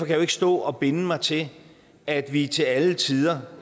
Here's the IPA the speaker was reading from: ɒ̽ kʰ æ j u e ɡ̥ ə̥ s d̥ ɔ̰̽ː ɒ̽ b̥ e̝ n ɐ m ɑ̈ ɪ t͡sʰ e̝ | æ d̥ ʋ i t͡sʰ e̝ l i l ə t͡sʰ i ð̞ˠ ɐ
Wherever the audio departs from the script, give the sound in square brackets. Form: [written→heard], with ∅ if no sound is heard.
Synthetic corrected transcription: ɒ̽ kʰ æ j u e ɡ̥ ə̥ s d̥ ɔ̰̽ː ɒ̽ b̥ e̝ n [ɐ→ə] m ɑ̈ ɪ t͡sʰ e̝ | æ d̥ ʋ i t͡sʰ e̝ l [i→æ] l ə t͡sʰ i ð̞ˠ ɐ